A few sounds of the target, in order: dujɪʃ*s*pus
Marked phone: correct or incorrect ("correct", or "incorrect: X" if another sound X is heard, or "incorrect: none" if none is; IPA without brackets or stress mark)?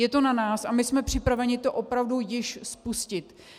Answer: correct